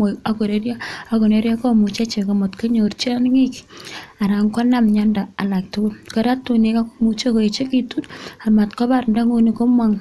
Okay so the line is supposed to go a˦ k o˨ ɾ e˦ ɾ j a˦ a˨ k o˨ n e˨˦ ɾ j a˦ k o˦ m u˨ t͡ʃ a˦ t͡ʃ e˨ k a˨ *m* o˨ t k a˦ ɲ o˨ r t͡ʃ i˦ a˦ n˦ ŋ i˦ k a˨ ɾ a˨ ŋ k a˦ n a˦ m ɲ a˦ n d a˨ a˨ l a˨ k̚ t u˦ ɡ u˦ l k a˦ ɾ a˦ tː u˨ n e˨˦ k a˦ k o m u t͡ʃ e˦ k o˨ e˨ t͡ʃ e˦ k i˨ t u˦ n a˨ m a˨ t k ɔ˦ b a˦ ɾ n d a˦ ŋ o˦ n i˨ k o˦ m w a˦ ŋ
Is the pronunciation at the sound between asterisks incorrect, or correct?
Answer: correct